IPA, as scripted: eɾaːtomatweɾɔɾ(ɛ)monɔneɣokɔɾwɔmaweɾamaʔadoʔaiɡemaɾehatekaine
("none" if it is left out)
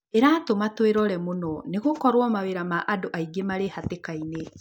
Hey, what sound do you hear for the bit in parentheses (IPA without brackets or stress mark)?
ɛ